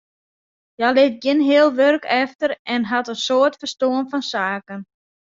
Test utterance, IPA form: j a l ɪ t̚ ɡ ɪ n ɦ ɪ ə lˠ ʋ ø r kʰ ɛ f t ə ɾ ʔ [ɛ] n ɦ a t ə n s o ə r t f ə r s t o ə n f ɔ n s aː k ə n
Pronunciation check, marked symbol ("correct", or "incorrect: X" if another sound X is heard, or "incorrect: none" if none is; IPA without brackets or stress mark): correct